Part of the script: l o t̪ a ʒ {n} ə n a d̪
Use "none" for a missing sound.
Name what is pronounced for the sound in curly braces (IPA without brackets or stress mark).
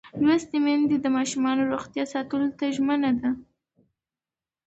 m